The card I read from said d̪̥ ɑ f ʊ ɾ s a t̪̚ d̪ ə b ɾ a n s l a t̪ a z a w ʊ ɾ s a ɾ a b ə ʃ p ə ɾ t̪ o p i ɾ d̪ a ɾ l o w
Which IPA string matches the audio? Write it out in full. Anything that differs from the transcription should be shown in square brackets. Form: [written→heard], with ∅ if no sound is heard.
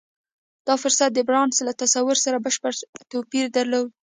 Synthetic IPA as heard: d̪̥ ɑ f ʊ ɾ s a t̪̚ d̪ ə b ɾ [a→ɑ] n s l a t̪ a [z→s] a w ʊ ɾ s a ɾ a b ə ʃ p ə ɾ t̪ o p i ɾ d̪ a ɾ l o w